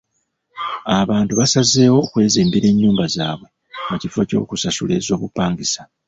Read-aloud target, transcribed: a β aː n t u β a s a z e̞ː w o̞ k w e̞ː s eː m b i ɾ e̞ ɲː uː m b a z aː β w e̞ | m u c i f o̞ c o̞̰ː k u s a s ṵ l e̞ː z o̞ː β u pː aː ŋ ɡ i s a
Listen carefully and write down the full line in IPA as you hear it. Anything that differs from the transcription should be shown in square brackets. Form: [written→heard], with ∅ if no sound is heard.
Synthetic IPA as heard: a β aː n t u β a s a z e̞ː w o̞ k w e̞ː [s→z] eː m b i ɾ e̞ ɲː uː m b a z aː β w e̞ | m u c i f o̞ c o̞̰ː k u s a s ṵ l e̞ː z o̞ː β u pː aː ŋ ɡ i s a